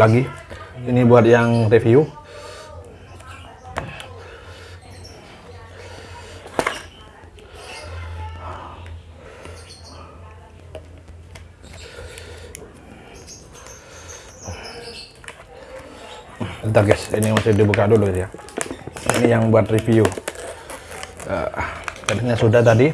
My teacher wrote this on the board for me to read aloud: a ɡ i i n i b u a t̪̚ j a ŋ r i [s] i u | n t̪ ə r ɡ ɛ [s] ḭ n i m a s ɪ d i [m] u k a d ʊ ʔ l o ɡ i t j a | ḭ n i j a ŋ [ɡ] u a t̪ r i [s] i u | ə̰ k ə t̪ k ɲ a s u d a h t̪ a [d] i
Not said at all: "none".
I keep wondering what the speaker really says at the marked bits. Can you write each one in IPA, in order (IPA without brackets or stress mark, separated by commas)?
f, s, b, b, f, d